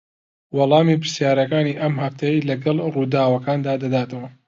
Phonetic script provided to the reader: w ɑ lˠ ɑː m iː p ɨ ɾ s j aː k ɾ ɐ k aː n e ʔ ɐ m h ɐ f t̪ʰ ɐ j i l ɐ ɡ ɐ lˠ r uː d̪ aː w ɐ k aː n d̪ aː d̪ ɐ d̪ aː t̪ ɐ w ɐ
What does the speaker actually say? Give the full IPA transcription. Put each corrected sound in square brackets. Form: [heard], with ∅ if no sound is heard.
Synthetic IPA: w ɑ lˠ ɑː m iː p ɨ ɾ s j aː [∅] ɾ ɐ k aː n [i] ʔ ɐ m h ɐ f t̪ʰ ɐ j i l ɐ ɡ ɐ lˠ r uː d̪ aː w ɐ k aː n d̪ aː d̪ ɐ d̪ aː t̪ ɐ w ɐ